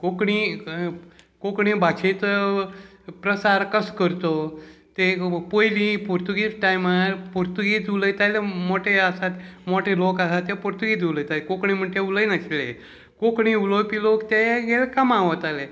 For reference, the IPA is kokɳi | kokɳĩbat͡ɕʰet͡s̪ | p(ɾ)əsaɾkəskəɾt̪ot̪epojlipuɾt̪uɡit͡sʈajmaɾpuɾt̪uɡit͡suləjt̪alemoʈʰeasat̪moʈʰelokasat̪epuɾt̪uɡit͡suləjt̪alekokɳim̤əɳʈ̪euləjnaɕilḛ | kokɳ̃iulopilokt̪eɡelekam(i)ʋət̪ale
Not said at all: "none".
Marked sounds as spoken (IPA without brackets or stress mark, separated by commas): ɾ, a